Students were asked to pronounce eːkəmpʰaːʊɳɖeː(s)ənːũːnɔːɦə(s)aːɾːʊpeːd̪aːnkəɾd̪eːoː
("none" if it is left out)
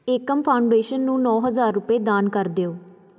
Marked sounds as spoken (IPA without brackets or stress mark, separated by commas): ʃ, z